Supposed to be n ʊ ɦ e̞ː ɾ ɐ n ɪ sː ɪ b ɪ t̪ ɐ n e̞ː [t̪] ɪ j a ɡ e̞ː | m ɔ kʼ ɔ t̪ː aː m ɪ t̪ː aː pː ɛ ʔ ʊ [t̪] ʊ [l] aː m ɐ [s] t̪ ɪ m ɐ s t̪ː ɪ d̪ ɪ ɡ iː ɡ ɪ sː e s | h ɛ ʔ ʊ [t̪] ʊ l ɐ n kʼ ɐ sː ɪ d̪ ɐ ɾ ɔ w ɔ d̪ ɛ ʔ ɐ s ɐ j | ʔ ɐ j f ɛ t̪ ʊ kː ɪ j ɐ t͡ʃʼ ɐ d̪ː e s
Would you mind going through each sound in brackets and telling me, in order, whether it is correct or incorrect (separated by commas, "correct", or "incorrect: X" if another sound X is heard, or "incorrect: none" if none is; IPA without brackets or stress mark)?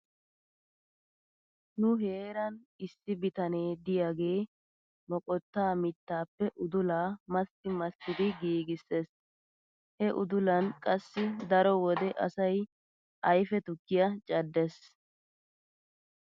incorrect: d̪, incorrect: d̪, correct, correct, incorrect: d̪